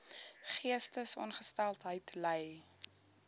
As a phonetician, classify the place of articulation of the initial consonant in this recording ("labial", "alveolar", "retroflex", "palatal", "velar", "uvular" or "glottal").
uvular